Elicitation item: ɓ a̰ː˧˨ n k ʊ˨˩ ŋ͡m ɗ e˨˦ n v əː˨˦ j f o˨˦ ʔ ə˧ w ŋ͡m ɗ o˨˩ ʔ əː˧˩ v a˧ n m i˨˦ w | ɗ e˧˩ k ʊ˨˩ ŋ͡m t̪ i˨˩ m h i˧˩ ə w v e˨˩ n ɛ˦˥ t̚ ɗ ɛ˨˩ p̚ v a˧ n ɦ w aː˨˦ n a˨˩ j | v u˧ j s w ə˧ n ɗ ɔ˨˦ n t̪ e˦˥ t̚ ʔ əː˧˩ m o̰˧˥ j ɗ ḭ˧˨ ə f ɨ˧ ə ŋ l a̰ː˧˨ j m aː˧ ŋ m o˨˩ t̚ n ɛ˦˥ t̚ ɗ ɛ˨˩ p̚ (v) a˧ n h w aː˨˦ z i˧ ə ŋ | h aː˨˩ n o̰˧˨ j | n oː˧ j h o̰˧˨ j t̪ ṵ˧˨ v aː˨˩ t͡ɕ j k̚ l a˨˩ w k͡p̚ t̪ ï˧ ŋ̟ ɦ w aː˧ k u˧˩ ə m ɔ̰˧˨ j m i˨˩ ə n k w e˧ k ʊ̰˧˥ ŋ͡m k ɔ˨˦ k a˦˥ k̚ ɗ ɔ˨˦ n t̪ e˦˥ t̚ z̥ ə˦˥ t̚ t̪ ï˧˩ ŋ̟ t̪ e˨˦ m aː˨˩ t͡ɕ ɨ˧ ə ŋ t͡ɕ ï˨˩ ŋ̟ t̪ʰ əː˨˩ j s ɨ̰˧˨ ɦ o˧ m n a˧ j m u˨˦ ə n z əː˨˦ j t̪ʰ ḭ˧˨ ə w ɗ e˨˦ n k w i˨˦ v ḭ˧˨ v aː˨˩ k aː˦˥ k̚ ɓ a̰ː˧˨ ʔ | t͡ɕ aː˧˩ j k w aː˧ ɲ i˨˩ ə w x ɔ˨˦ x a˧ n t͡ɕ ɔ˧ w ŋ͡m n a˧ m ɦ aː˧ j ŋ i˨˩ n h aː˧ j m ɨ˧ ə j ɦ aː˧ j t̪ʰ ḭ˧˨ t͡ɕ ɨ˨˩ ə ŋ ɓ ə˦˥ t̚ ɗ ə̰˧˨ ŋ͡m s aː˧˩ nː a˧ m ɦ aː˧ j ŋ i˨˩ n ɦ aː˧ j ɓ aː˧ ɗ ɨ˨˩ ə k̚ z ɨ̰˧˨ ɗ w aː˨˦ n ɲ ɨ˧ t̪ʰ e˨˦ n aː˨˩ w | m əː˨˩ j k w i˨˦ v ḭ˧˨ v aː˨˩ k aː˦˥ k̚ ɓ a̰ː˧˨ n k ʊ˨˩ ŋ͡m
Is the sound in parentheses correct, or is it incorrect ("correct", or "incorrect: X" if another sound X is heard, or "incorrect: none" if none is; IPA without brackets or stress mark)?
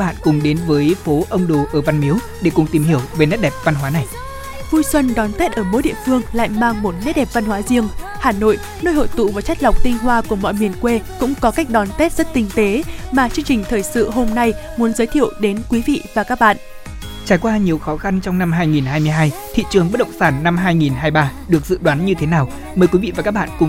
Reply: correct